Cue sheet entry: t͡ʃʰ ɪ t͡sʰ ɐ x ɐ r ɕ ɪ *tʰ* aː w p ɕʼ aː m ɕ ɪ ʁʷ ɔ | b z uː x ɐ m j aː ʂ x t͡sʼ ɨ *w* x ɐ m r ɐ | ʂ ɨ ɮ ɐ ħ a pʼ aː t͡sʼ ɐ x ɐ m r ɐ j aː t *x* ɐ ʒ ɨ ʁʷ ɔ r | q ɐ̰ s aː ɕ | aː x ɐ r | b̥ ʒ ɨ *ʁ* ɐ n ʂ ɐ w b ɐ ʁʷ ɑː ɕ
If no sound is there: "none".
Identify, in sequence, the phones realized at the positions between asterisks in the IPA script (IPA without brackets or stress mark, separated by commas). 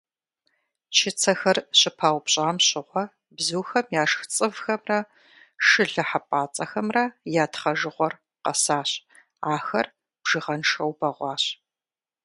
pʰ, v, χ, ʁ